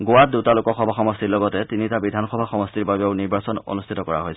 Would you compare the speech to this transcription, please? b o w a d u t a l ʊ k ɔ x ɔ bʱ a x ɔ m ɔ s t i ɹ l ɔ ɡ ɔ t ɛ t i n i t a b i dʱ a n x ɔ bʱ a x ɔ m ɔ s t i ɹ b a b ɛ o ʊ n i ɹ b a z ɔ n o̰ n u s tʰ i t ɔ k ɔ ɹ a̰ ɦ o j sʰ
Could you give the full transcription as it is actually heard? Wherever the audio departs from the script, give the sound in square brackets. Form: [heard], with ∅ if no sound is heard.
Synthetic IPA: [ɡ] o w a d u t a l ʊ k ɔ x ɔ bʱ a x ɔ m ɔ s t i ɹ l ɔ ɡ ɔ t ɛ t i n i t a b i dʱ a n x ɔ bʱ a x ɔ m ɔ s t i ɹ b a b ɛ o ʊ n i ɹ b a [s] ɔ n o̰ n u s tʰ i t ɔ k ɔ ɹ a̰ ɦ o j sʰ